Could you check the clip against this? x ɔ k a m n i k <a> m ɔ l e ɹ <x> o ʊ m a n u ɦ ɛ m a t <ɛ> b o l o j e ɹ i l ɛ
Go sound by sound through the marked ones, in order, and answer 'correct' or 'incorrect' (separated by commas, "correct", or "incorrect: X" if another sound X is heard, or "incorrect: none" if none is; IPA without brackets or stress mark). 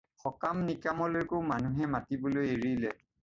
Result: correct, incorrect: k, incorrect: i